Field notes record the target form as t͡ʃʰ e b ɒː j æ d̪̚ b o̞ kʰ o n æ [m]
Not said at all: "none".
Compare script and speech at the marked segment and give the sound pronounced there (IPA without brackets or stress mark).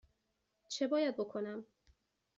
m